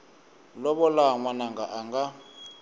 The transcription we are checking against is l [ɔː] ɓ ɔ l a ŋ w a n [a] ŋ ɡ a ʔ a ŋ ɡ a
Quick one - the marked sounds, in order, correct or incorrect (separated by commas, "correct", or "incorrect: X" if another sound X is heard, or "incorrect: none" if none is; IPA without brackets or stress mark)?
incorrect: ɔ, correct